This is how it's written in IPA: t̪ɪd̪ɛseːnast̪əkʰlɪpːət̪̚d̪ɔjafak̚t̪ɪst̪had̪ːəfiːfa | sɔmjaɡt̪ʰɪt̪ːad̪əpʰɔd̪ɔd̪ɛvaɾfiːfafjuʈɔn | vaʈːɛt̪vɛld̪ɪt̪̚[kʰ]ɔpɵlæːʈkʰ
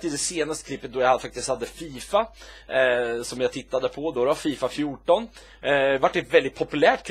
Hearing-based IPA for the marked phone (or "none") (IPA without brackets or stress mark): pʰ